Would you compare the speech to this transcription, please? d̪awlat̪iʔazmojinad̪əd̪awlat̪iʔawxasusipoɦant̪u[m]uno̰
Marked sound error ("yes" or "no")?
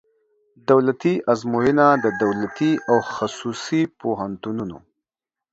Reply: yes